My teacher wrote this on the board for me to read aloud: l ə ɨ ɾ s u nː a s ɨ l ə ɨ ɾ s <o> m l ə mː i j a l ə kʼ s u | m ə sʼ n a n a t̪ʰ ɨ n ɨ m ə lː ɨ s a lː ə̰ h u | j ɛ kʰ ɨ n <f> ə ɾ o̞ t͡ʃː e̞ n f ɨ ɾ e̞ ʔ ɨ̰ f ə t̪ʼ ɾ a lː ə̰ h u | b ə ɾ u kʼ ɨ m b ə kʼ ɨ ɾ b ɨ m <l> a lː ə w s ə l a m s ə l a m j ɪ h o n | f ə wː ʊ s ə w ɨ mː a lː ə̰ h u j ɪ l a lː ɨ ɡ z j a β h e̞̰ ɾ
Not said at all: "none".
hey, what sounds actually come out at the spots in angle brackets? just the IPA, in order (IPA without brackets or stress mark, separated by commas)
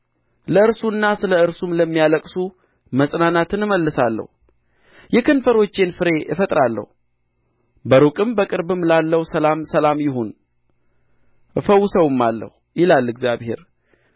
u, f, l